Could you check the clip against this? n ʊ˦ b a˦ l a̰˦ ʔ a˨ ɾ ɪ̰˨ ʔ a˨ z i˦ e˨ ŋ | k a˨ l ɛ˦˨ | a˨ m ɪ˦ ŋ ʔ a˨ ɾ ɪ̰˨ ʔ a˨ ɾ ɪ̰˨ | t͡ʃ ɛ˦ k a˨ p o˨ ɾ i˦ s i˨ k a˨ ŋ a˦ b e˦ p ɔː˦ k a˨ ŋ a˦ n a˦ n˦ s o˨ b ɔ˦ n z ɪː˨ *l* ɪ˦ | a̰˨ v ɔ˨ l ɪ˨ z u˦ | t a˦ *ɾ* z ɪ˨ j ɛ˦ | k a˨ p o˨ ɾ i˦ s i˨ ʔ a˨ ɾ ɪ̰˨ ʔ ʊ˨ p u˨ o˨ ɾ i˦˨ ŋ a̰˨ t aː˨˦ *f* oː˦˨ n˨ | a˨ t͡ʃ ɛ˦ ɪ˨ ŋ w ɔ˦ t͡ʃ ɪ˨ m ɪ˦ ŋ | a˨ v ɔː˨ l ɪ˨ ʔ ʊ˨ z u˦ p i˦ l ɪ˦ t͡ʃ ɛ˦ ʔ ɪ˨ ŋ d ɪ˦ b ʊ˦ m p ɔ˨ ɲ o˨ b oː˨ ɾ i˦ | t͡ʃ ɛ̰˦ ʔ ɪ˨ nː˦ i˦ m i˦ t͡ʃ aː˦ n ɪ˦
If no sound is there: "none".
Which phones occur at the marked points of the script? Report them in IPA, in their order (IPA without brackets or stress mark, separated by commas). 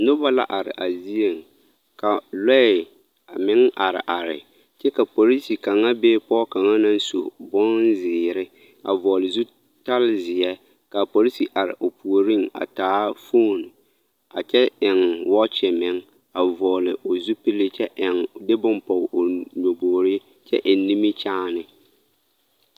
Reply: ɾ, l, f